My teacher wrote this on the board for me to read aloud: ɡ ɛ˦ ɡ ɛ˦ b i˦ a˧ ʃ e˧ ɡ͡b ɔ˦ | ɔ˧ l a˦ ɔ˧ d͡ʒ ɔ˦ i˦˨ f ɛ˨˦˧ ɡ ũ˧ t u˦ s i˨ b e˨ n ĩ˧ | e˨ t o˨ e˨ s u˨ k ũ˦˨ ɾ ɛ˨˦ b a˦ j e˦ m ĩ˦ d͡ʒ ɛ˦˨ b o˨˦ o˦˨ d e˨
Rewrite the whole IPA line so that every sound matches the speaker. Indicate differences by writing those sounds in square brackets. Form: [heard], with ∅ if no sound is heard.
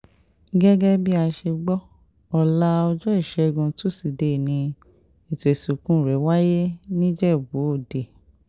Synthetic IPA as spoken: ɡ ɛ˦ ɡ ɛ˦ b i˦ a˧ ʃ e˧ ɡ͡b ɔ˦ | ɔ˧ l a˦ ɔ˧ d͡ʒ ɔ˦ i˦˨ [ʃ] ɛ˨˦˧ ɡ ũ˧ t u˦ s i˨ [d] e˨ n ĩ˧ | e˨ t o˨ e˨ s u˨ k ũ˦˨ ɾ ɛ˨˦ [w] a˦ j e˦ [n] ĩ˦ d͡ʒ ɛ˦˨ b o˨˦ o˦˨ d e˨